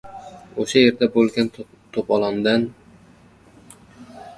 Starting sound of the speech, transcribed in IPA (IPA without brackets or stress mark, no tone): o